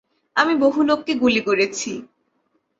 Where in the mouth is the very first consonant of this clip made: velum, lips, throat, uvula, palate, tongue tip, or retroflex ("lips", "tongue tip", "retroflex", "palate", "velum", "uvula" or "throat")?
lips